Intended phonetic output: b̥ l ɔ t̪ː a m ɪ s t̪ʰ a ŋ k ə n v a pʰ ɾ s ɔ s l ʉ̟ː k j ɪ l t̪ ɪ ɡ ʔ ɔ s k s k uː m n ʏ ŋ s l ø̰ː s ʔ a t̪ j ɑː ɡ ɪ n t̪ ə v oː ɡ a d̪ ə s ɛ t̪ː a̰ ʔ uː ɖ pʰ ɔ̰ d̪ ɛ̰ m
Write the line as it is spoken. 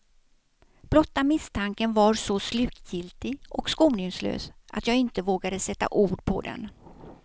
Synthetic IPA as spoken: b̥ l ɔ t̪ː a m ɪ s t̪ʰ a ŋ k ə n v a ɾ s ɔ s l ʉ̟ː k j ɪ l t̪ ɪ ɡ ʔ ɔ k s k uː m n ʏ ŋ s l ø̰ː s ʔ a t̪ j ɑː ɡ ɪ n t̪ ə v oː ɡ a d̪ ə s ɛ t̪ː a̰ ʔ uː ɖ pʰ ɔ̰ d̪ ɛ̰ n